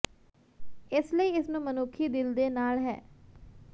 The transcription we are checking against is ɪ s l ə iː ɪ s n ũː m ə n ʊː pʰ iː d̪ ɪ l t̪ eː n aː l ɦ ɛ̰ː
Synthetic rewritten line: ɪ s l ə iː ɪ s n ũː m ə n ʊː kʰ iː d̪ ɪ l d̪ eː n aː l ɦ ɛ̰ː